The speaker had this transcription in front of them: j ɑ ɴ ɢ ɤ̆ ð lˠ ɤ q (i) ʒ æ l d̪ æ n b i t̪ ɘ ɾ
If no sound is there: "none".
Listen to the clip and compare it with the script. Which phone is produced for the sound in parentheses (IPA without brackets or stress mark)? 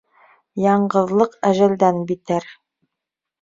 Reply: æ